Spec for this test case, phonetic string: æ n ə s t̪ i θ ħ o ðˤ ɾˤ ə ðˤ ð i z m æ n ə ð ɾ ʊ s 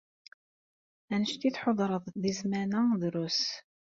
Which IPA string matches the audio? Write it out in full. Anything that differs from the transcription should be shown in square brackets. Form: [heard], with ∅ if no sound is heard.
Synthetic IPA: æ n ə [ʃ] t̪ i θ ħ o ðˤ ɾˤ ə ðˤ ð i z m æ n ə ð ɾ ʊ s